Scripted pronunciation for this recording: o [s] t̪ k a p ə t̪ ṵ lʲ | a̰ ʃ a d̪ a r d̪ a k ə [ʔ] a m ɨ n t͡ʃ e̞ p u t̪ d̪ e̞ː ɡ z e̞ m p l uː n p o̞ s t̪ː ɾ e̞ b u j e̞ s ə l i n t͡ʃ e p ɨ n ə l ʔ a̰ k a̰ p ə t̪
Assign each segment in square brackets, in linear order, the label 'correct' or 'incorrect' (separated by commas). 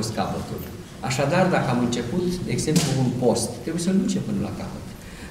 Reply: correct, incorrect